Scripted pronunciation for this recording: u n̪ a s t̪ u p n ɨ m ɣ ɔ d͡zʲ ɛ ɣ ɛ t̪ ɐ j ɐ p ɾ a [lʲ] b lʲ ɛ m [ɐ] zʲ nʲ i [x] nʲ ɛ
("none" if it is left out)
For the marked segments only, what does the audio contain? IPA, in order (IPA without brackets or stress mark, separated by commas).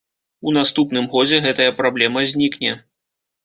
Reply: none, ɐ, k